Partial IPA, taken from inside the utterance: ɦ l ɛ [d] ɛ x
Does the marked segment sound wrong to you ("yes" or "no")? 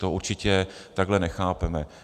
yes